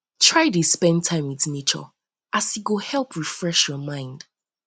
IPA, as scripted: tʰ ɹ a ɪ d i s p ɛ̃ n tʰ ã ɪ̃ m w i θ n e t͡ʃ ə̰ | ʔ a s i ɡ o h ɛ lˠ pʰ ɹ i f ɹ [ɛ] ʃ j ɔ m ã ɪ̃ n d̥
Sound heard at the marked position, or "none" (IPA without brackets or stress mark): ɛ